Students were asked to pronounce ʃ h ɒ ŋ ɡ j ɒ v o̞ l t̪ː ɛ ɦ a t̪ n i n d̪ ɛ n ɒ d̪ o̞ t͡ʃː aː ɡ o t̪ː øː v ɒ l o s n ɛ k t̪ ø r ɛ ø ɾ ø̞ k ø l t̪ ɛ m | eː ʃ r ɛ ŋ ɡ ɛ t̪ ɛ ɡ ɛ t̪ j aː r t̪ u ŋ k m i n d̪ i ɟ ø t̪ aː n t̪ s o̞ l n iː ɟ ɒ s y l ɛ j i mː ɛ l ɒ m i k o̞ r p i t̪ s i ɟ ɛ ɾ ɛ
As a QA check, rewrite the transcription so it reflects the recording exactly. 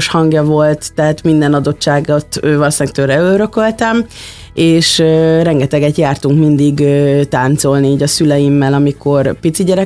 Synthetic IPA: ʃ h ɒ ŋ ɡ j ɒ v o̞ l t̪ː ɛ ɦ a t̪ m i n d̪ ɛ n ɒ d̪ o̞ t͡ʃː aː ɡ o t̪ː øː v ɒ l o s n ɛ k t̪ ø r ɛ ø ɾ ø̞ k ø l t̪ ɛ m | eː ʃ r ɛ ŋ ɡ ɛ t̪ ɛ ɡ ɛ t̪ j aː r t̪ u ŋ k m i n d̪ i ɡ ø t̪ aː n t̪ s o̞ l n iː ɟ ɒ s y l ɛ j i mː ɛ l ɒ m i k o̞ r p i t̪ s i ɟ ɛ ɾ ɛ